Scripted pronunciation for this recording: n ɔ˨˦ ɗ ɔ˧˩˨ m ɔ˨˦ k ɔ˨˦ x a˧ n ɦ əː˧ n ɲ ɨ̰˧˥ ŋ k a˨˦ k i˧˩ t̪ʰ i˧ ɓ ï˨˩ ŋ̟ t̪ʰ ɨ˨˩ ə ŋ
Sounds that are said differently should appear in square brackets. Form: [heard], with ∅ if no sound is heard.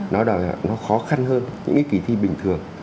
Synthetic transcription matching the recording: n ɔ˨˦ ɗ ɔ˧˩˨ [n] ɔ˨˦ [x] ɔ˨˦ x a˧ n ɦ əː˧ n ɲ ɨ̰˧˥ ŋ k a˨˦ k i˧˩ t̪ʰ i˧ ɓ ï˨˩ ŋ̟ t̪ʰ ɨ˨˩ ə ŋ